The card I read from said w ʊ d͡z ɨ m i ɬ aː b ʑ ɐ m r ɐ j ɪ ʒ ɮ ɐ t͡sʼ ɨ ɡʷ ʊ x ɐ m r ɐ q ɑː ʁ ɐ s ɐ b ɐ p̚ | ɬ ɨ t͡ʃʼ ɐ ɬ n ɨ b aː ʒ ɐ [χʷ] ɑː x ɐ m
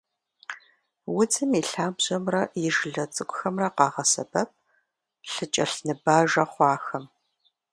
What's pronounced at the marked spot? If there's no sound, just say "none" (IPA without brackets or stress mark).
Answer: χʷ